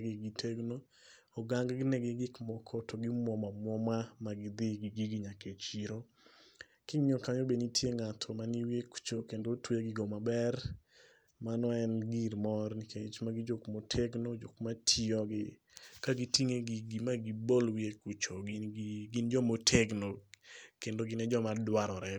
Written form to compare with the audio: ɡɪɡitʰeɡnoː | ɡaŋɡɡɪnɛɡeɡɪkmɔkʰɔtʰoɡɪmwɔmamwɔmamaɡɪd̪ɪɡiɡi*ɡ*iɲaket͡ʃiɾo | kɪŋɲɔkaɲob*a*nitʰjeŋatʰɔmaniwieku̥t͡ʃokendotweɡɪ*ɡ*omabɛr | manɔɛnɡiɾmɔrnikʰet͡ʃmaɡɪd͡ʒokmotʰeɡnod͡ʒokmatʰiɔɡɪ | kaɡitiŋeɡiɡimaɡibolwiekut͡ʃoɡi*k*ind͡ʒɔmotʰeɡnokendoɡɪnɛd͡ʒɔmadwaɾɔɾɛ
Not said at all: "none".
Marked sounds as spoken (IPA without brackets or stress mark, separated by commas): ɡ, e, ɡ, ɡ